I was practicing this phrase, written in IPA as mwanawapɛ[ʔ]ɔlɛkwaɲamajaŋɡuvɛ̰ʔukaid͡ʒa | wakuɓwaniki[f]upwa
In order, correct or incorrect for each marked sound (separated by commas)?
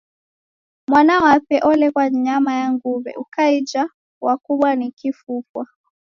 correct, correct